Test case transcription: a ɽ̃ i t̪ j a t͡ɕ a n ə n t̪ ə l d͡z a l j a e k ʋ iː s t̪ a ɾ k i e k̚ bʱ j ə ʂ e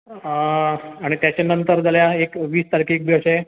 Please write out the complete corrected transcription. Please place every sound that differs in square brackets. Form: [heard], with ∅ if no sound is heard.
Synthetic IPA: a ɽ̃ i t̪ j a t͡ɕ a n ə n t̪ ə [ɾ] d͡z a l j a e k ʋ iː s t̪ a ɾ k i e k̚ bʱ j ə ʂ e